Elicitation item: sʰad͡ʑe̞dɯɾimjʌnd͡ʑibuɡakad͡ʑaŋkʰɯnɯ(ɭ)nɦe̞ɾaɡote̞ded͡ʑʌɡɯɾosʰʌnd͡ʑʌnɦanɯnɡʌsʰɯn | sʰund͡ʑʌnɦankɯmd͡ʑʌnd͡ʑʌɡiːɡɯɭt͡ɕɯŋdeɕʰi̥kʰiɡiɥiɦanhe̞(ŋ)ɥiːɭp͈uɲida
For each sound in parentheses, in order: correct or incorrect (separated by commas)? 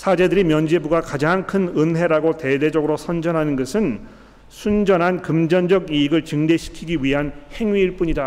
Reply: incorrect, correct